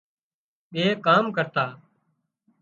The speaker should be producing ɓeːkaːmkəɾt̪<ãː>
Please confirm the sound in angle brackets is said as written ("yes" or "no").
no